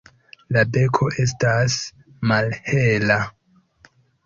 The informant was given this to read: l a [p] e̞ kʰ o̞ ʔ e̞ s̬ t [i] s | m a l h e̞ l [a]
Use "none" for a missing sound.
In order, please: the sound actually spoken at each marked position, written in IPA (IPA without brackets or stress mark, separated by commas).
b, a, a